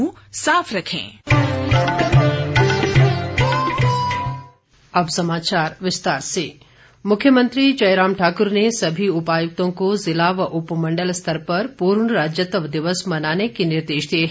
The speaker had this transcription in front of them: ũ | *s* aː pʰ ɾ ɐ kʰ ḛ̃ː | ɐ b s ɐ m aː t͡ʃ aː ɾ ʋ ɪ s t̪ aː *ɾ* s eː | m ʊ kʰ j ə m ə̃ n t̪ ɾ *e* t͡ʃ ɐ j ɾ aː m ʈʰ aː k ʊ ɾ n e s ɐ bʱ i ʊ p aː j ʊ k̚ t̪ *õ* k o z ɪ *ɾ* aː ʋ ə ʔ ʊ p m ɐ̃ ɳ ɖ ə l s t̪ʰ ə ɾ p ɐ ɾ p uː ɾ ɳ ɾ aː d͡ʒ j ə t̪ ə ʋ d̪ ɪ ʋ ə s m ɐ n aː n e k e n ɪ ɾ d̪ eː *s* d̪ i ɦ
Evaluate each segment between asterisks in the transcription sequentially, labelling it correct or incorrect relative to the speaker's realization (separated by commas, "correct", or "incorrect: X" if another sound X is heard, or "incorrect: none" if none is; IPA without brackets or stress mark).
correct, correct, incorrect: i, correct, incorrect: l, incorrect: ʃ